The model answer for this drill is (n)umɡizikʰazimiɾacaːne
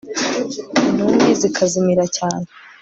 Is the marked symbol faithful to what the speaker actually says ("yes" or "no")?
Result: yes